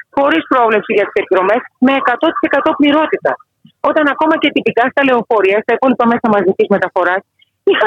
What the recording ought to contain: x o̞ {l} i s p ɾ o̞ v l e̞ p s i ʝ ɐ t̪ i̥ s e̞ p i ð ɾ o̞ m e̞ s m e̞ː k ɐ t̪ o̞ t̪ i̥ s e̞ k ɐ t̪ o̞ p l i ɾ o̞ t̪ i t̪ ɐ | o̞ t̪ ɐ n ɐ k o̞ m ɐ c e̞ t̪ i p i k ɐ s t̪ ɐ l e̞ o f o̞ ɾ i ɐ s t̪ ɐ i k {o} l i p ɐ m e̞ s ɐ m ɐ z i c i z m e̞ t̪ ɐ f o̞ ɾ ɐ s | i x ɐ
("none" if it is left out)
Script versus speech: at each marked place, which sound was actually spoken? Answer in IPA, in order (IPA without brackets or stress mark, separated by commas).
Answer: ɾ, o